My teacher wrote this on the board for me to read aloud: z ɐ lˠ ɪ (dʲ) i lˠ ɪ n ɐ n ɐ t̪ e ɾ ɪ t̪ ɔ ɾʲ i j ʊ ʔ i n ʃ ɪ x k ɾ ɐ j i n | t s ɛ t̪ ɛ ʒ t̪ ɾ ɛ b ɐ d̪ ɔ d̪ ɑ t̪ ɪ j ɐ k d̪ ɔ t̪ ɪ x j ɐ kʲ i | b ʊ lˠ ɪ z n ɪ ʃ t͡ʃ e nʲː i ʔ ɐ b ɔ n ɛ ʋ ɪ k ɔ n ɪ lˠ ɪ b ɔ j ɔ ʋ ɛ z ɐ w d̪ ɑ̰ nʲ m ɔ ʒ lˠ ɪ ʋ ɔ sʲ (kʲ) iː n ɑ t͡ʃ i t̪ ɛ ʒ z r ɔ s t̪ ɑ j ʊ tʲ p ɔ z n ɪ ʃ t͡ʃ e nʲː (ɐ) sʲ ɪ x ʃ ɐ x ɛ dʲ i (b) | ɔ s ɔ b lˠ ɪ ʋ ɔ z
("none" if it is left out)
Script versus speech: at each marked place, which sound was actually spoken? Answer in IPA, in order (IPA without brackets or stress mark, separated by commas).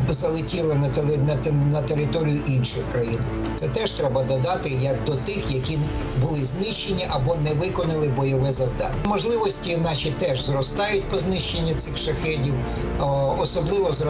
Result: tʲ, tʲ, ɐ, w